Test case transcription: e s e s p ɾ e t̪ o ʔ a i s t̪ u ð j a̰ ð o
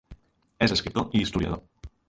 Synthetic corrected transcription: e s e s k ɾ i t̪ o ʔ i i s t̪ u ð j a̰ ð o